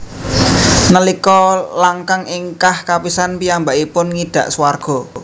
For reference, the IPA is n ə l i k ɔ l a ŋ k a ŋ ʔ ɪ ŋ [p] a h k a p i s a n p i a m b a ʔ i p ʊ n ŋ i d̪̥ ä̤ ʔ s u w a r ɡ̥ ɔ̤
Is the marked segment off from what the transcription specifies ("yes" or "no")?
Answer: yes